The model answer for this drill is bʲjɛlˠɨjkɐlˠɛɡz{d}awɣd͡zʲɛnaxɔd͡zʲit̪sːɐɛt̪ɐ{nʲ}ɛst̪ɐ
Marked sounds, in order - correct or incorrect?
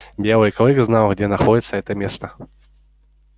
incorrect: n, incorrect: mʲ

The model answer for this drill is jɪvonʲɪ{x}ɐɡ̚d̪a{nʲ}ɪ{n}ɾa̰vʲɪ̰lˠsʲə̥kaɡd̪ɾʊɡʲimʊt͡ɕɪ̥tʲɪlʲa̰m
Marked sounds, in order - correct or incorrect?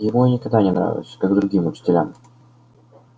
incorrect: k, correct, correct

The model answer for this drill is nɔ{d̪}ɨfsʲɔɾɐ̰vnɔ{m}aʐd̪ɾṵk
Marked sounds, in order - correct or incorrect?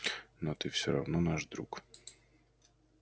incorrect: t̪, incorrect: n

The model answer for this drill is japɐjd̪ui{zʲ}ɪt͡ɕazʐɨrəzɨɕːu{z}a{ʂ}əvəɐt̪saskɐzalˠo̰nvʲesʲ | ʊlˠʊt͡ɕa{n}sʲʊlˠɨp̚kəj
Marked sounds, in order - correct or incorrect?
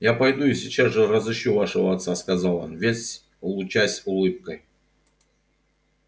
incorrect: sʲ, incorrect: v, correct, incorrect: none

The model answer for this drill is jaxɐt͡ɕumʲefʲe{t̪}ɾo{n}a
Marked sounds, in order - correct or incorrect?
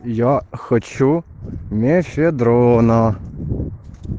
incorrect: d̪, correct

